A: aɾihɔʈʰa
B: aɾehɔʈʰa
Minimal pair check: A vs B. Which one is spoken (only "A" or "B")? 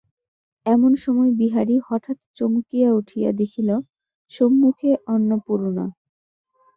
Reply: A